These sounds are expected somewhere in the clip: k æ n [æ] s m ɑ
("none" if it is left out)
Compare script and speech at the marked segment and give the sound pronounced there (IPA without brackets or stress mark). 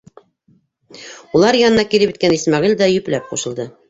i